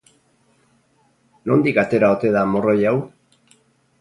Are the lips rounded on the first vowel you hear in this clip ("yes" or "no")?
yes